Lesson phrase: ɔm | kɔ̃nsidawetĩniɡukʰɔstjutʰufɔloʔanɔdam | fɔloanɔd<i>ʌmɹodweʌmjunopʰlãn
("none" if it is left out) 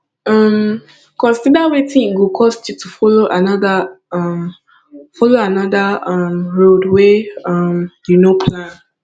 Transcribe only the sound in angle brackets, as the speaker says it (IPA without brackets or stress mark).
a